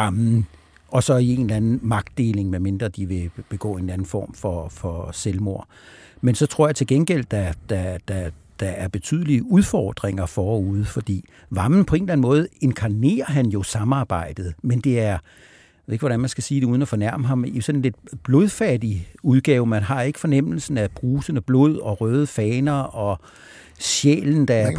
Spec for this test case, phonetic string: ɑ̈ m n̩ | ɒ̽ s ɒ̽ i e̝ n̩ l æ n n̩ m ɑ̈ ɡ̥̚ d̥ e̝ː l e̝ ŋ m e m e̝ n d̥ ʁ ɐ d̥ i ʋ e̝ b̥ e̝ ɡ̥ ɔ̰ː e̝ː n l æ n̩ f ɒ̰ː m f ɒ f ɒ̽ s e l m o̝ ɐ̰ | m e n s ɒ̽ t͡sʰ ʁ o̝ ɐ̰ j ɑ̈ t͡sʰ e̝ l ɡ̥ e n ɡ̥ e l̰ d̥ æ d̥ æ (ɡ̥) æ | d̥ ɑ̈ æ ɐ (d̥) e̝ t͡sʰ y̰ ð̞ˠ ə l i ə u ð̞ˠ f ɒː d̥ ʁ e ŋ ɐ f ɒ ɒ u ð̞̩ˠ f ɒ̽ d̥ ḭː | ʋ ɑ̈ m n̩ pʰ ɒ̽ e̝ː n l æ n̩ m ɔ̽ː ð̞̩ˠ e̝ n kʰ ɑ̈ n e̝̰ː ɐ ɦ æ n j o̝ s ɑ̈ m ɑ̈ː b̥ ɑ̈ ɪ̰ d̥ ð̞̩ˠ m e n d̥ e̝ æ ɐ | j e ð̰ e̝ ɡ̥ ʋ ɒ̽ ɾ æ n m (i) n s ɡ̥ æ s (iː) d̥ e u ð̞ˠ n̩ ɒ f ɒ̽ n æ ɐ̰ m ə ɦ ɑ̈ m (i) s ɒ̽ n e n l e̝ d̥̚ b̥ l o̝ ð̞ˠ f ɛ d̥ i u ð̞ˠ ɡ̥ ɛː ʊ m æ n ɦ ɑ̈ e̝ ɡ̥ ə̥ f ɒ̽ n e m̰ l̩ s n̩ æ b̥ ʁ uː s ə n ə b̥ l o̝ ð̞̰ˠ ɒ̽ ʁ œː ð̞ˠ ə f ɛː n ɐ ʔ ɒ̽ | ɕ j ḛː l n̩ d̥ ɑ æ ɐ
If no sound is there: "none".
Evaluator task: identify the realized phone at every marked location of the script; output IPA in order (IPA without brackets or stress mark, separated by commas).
d̥, b̥, æ, iː, i